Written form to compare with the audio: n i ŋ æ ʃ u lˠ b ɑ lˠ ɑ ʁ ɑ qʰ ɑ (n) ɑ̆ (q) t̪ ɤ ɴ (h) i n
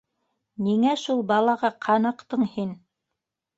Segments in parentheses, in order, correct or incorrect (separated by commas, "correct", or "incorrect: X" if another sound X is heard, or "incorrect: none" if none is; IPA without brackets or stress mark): correct, correct, correct